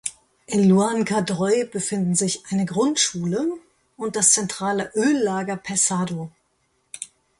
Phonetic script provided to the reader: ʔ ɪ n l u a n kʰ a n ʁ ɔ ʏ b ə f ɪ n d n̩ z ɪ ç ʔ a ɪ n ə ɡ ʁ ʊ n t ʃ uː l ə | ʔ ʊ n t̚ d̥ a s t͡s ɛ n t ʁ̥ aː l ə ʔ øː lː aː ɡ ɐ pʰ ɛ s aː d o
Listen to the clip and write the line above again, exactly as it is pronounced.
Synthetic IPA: ʔ ɪ n l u a n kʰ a d ʁ ɔ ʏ b ə f ɪ n d n̩ z ɪ ç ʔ a ɪ n ə ɡ ʁ ʊ n t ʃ uː l ə | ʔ ʊ n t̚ d̥ a s t͡s ɛ n t ʁ̥ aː l ə ʔ øː lː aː ɡ ɐ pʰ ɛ s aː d o